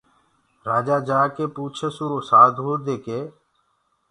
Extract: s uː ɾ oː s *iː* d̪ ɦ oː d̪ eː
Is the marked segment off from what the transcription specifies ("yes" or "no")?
yes